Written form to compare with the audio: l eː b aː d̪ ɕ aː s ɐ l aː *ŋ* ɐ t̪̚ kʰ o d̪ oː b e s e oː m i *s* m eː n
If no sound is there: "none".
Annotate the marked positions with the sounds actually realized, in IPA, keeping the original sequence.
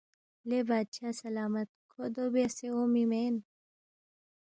m, none

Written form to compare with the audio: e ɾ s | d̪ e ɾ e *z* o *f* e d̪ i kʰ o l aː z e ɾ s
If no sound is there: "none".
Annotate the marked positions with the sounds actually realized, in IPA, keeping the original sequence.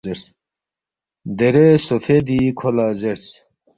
s, f

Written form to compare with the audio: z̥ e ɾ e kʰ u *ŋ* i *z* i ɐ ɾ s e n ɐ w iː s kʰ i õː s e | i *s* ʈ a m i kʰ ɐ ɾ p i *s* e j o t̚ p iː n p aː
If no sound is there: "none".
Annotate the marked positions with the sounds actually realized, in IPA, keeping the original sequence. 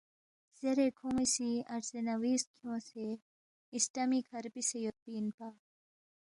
m, s, s, s

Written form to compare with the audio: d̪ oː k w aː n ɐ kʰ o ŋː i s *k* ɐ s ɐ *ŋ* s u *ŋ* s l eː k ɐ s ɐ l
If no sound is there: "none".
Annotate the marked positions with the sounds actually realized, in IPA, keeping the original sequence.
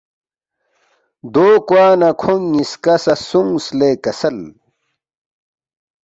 k, none, ŋ

